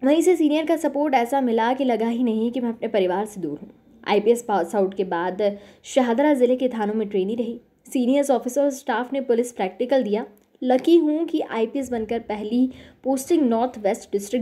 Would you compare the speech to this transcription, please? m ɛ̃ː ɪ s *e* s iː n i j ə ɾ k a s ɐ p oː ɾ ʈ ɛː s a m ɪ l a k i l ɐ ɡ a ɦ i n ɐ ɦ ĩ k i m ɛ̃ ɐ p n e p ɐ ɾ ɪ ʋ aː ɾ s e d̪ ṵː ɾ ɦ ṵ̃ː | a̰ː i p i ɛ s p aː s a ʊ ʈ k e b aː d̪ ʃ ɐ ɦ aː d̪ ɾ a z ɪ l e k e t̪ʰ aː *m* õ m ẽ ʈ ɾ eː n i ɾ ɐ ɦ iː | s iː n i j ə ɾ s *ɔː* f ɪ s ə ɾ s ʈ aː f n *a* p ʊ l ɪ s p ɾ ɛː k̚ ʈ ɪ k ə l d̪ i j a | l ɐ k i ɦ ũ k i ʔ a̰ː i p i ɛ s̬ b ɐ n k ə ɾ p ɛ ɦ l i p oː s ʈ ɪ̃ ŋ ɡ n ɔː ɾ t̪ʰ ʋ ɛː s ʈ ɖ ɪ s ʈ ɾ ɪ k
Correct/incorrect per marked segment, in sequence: correct, incorrect: n, correct, incorrect: e

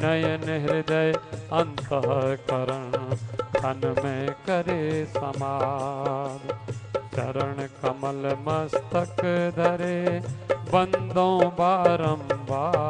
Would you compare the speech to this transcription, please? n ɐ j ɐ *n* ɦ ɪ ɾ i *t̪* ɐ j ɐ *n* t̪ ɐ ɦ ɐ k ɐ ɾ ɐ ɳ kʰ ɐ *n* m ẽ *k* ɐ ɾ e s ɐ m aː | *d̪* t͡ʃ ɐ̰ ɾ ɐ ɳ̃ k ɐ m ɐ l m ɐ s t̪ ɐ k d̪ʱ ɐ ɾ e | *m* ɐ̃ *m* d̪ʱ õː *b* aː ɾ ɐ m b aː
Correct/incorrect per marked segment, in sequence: correct, incorrect: d̪, correct, correct, correct, correct, incorrect: b, incorrect: n, correct

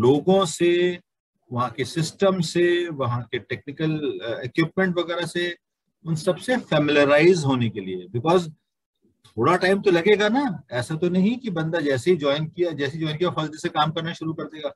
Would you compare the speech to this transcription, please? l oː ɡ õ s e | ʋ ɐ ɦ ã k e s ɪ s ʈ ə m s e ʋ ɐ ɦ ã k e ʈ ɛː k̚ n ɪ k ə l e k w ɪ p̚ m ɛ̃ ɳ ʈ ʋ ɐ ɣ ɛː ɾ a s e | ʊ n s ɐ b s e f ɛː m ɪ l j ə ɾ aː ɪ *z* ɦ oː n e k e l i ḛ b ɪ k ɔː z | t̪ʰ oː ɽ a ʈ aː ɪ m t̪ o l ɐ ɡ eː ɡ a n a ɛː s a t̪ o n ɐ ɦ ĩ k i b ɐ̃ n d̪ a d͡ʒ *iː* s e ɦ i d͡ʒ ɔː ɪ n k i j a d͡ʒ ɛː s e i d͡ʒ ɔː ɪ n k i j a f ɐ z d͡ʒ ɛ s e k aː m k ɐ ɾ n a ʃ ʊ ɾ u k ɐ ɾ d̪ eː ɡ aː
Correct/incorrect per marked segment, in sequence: correct, incorrect: ɛː

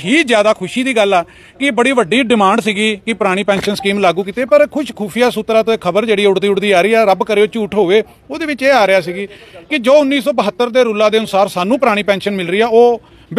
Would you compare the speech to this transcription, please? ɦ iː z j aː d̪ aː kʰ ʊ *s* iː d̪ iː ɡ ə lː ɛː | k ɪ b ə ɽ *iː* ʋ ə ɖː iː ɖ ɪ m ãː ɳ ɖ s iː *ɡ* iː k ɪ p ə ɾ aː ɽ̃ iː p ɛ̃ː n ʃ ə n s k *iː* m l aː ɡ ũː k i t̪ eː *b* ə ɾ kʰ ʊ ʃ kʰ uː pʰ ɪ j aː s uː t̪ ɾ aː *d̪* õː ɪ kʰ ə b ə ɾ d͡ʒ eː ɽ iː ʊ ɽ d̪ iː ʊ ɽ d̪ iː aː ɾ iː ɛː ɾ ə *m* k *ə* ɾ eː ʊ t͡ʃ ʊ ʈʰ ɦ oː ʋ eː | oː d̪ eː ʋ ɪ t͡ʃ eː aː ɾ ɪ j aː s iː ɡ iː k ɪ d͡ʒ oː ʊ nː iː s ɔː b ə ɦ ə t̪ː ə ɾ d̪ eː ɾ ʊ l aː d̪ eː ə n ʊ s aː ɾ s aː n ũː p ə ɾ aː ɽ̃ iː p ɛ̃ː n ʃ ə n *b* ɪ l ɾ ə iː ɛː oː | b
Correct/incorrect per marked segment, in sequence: incorrect: ʃ, correct, correct, correct, incorrect: p, incorrect: t̪, incorrect: b, correct, incorrect: m

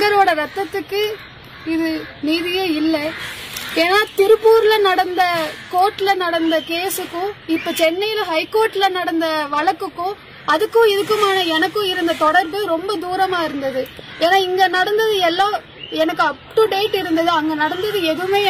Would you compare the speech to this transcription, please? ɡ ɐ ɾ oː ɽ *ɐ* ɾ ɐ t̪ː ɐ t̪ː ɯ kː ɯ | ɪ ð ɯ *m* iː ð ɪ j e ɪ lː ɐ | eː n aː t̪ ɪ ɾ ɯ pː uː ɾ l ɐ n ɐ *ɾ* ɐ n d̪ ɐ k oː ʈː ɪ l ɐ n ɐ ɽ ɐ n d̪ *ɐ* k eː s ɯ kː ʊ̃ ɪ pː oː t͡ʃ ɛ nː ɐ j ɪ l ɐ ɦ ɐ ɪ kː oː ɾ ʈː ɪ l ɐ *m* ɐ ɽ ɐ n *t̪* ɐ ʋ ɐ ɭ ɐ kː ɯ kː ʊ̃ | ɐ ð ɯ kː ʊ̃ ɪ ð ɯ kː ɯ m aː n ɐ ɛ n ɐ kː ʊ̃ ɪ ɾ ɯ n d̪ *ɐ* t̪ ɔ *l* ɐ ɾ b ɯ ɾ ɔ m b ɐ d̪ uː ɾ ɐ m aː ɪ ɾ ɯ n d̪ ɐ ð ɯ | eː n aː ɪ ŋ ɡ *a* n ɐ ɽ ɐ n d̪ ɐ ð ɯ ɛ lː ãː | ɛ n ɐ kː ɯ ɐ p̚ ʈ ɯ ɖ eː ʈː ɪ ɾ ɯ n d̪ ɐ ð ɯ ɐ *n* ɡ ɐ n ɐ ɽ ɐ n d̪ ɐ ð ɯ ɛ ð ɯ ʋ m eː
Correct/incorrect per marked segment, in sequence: correct, incorrect: n, incorrect: ɽ, correct, incorrect: n, incorrect: d̪, correct, incorrect: ɽ, incorrect: ɐ, incorrect: ŋ

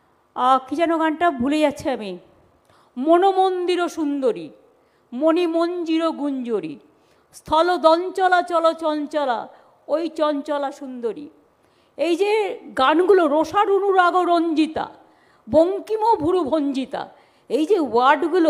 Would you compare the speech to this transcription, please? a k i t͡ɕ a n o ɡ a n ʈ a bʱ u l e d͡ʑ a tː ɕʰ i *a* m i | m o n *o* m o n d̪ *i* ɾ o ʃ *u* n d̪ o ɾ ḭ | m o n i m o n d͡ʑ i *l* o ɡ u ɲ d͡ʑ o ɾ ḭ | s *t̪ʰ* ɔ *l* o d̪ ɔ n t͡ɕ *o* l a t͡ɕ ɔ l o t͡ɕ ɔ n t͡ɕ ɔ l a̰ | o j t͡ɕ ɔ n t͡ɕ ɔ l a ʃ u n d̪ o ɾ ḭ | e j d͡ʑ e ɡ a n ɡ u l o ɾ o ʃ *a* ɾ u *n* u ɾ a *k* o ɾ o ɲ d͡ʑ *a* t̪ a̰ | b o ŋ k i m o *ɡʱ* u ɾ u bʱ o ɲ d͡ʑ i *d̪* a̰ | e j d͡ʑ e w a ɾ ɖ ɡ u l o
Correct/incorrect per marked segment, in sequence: correct, correct, correct, correct, incorrect: ɾ, correct, correct, incorrect: ɔ, correct, correct, incorrect: ɡ, incorrect: i, incorrect: bʱ, incorrect: t̪

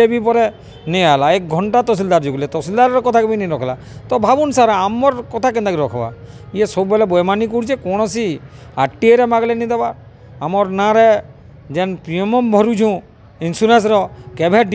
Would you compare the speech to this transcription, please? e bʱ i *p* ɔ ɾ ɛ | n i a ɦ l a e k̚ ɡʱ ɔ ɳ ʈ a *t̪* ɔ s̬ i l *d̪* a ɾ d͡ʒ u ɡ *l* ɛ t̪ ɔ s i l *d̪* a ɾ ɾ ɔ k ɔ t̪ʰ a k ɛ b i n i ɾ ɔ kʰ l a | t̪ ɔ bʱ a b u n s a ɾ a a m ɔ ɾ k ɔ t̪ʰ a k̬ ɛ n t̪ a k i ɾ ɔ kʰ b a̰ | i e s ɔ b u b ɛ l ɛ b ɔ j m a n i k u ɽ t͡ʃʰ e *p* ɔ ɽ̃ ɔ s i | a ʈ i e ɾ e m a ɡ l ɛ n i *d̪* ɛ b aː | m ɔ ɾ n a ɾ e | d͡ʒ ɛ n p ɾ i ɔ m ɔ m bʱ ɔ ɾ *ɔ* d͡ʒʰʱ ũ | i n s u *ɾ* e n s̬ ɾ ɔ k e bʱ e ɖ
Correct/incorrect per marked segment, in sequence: correct, correct, correct, correct, correct, incorrect: k, correct, incorrect: u, correct

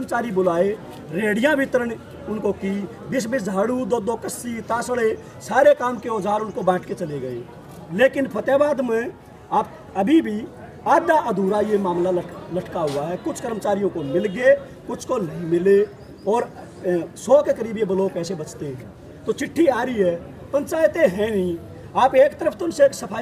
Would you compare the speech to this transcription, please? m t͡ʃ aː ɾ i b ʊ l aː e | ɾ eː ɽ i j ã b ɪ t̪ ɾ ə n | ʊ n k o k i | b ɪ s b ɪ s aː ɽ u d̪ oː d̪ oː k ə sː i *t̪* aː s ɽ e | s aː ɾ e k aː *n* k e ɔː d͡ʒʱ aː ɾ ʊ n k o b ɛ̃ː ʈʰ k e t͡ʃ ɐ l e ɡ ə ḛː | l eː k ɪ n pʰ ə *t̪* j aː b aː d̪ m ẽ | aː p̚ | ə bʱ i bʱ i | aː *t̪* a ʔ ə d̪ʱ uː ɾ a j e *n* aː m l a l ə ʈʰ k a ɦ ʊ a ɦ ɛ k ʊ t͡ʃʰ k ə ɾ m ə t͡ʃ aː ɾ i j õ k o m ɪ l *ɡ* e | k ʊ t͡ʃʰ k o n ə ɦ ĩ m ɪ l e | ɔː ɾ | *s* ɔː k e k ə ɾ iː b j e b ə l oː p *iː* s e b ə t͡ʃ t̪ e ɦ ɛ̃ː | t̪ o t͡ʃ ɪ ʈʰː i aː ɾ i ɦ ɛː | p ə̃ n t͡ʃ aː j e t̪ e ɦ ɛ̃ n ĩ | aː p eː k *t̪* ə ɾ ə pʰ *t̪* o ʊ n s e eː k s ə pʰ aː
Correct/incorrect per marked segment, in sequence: correct, incorrect: m, correct, incorrect: d̪, incorrect: m, correct, correct, incorrect: ɛː, correct, correct

